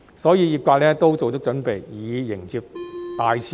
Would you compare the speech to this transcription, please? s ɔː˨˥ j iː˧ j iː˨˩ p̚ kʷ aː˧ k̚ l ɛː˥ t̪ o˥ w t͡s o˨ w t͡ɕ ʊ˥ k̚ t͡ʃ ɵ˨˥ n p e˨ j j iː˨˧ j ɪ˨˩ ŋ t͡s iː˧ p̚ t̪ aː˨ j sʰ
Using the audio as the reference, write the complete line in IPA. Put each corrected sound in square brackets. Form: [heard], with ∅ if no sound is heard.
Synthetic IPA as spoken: s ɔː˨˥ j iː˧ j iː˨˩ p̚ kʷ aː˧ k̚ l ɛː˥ t̪ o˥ w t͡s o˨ w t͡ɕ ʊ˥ k̚ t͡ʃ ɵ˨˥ n p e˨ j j iː˨˧ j ɪ˨˩ ŋ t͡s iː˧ p̚ t̪ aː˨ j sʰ